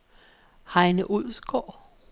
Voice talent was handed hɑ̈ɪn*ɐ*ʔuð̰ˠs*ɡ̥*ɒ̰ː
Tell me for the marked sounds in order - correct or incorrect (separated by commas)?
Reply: incorrect, correct